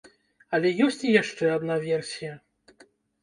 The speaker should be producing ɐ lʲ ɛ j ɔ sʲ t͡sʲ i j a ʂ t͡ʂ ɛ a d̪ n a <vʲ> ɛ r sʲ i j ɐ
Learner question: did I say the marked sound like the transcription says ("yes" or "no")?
yes